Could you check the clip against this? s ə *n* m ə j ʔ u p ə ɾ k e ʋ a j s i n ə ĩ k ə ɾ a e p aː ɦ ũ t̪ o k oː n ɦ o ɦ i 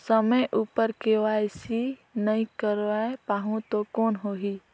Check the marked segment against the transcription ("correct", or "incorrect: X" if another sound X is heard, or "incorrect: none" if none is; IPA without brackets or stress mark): incorrect: none